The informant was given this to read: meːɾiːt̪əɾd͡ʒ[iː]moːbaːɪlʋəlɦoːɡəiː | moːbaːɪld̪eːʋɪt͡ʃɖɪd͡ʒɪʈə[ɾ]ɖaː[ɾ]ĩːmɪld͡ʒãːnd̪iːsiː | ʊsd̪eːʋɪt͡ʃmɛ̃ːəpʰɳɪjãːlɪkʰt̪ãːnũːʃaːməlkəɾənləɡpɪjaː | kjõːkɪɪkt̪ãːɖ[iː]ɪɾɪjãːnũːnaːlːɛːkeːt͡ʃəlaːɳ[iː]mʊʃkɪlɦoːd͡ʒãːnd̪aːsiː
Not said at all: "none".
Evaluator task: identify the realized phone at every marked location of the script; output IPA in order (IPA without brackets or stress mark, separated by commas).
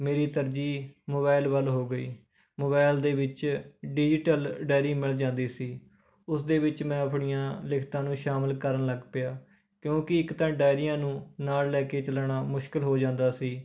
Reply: iː, l, ɾ, aː, aː